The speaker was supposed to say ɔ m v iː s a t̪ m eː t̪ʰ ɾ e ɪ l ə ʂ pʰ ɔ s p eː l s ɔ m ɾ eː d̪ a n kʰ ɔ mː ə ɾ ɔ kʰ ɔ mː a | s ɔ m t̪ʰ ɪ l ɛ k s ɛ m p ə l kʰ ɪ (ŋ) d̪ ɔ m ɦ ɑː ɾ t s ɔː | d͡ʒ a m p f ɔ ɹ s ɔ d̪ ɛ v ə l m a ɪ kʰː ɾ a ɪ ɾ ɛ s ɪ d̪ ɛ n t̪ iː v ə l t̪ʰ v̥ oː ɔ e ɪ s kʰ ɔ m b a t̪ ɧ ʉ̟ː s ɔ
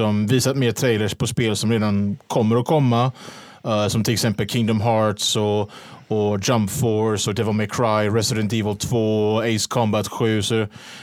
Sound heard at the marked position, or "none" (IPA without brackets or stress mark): ŋ